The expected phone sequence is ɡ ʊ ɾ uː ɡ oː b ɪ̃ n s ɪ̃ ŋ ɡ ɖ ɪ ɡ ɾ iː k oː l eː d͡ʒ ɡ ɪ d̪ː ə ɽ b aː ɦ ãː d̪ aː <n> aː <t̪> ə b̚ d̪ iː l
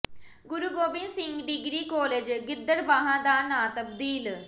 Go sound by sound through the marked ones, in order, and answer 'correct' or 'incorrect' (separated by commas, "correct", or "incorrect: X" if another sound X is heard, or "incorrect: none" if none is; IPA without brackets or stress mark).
correct, correct